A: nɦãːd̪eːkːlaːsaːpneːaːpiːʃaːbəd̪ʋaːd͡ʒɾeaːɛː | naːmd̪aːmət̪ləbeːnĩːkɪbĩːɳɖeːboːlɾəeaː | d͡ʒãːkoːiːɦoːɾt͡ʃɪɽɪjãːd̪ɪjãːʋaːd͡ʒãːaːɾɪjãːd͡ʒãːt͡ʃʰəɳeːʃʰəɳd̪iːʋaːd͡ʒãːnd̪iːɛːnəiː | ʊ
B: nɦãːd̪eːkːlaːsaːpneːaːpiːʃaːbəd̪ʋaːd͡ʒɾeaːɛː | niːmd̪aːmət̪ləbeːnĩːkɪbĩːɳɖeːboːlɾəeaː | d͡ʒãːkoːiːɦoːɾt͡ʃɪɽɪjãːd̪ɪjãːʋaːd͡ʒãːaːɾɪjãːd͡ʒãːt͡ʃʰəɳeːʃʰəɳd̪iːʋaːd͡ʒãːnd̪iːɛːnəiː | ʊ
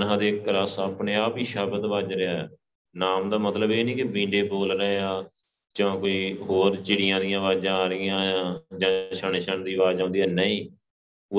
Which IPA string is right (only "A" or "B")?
A